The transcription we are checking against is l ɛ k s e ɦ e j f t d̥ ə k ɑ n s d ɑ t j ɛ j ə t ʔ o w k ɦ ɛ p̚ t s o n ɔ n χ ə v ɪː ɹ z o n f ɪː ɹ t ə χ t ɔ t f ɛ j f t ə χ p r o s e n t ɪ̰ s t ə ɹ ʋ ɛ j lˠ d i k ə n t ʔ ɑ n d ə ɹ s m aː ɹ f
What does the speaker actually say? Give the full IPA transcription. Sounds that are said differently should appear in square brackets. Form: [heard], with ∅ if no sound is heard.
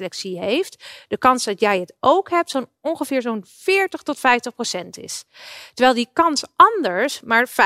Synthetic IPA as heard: l ɛ k s [i] ɦ e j f t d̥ ə k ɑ n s d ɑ t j ɛ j ə t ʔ o w k ɦ ɛ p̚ t s o n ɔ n χ ə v ɪː ɹ z o n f ɪː ɹ t ə χ t ɔ t f ɛ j f t ə χ p r o s [ɛ] n t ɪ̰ s t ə ɹ ʋ ɛ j lˠ d i k [ɑ] n [s] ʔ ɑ n d ə ɹ s m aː ɹ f